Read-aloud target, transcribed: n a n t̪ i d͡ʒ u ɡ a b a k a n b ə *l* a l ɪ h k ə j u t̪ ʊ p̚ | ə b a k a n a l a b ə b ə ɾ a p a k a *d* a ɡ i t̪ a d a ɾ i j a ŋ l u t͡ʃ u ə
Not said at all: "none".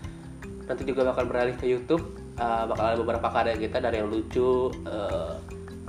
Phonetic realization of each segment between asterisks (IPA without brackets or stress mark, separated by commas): ɾ, d